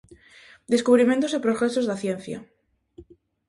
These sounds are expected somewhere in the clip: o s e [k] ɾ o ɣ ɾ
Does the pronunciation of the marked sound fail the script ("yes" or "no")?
yes